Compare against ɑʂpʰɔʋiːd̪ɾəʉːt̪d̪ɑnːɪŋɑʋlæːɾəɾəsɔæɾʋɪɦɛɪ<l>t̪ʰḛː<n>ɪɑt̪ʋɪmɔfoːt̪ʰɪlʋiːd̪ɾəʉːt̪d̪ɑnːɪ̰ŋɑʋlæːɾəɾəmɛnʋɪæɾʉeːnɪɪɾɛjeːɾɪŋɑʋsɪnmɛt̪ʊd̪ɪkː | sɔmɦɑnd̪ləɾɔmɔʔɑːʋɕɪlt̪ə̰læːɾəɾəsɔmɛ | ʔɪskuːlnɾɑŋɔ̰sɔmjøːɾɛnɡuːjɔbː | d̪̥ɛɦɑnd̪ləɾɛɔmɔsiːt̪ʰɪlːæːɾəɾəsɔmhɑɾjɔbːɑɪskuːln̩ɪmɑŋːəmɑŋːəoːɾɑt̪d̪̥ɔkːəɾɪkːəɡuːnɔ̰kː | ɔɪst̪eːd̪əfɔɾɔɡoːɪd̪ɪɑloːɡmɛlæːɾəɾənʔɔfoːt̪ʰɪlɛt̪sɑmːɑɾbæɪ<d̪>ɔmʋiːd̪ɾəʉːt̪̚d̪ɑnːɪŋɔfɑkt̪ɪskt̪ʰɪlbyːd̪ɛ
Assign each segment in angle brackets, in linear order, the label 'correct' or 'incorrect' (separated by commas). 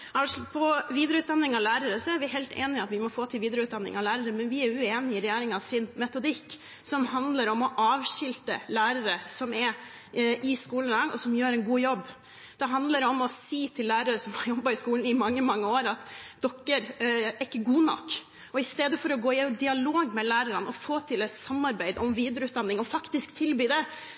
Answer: correct, correct, correct